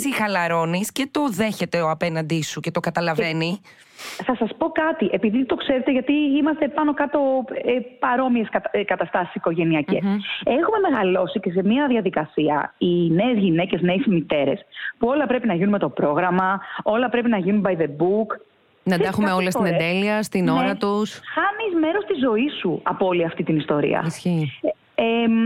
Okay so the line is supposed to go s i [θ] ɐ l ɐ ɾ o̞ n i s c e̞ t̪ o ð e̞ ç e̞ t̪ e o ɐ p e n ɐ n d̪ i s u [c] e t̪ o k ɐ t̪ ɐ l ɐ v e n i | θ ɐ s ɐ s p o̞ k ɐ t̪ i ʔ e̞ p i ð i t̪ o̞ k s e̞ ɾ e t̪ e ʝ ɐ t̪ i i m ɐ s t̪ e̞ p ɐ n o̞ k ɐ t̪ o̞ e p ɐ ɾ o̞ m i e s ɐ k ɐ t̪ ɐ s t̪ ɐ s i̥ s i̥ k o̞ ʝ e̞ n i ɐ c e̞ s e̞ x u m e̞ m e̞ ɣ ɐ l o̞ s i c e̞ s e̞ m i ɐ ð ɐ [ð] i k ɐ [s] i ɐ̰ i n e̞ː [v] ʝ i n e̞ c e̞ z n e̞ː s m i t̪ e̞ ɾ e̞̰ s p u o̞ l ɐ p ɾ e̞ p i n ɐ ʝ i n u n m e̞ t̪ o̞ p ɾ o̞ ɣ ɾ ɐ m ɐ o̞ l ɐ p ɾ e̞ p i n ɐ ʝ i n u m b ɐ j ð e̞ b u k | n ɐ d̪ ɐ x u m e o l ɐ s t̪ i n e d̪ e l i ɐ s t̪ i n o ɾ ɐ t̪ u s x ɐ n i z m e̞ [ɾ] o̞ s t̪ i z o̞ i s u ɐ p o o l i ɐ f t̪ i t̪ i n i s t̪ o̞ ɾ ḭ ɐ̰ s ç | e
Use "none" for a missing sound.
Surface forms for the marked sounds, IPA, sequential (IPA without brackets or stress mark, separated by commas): x, c, ð, s, z, ɾ